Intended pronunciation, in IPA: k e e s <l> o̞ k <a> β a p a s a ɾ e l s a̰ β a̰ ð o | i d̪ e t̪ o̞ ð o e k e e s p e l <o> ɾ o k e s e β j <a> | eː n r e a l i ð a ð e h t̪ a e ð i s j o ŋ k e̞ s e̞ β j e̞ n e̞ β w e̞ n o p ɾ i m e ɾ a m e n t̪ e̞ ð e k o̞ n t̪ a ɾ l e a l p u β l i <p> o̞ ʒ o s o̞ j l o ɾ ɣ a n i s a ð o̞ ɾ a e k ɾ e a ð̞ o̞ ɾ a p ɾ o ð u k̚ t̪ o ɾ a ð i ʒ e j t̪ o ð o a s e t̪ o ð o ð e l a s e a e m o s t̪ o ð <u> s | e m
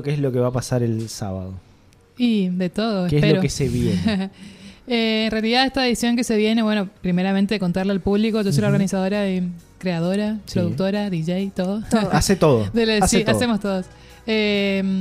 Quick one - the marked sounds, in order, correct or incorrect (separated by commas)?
correct, incorrect, correct, incorrect, incorrect, incorrect